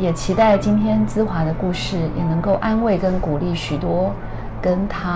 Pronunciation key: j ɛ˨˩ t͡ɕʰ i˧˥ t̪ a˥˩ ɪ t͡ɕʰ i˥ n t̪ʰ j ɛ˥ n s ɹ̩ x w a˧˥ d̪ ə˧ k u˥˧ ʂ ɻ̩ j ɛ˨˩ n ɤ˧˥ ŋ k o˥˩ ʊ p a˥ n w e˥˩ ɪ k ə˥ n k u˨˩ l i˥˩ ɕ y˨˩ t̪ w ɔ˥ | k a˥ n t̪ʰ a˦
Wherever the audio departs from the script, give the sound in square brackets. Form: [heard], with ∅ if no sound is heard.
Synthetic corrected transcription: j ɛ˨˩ t͡ɕʰ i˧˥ t̪ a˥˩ ɪ [t͡ɕ] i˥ n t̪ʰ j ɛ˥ n [t͡s] ɹ̩ x w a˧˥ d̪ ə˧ k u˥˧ ʂ ɻ̩ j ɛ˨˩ n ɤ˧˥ ŋ k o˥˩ ʊ [ʔ] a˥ n w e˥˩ ɪ k ə˥ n k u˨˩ l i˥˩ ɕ y˨˩ t̪ w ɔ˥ | k [ə˥] n t̪ʰ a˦